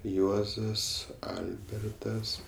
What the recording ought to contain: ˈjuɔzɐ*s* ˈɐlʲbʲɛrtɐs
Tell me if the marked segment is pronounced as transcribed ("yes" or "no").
yes